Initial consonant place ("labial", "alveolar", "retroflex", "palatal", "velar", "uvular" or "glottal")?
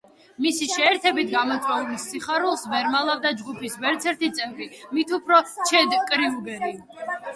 labial